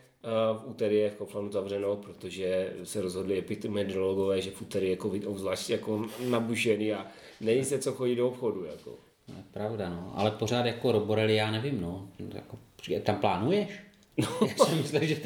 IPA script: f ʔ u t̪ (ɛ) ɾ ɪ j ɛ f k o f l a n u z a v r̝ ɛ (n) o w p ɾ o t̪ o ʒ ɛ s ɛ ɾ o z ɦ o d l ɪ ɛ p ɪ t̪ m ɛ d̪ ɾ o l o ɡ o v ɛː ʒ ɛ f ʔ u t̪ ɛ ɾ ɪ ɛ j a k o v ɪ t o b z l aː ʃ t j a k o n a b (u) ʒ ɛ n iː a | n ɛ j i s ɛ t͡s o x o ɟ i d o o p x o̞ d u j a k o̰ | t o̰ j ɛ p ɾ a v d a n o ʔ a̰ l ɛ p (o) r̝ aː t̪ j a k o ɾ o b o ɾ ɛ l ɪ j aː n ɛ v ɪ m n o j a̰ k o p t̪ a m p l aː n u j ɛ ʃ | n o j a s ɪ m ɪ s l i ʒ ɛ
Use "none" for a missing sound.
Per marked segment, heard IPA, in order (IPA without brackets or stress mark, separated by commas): ɛ, n, u, o